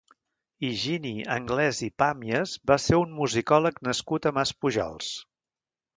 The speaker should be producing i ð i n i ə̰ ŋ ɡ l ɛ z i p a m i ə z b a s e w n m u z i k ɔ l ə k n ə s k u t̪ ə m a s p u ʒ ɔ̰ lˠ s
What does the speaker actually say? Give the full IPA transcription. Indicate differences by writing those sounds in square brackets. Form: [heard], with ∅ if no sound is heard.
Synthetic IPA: i [ʒ] i n i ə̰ ŋ ɡ l ɛ z i p a m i ə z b a s e [u] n m u z i k ɔ l ə k n ə s k u t̪ ə m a s p u ʒ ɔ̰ lˠ s